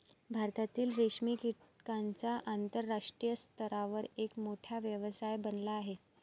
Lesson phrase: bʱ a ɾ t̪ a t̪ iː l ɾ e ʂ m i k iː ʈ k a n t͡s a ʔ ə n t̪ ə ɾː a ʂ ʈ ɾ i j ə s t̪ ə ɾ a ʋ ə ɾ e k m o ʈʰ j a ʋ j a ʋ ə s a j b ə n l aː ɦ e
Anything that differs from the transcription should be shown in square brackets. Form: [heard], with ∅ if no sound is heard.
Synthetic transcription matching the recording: bʱ a ɾ t̪ a t̪ iː l ɾ e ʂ m i k [i] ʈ k a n t͡s a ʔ [a] n t̪ ə ɾː a ʂ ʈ ɾ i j ə s t̪ ə ɾ a ʋ ə ɾ e k m o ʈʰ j a ʋ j [ə] ʋ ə s a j b ə n l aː ɦ e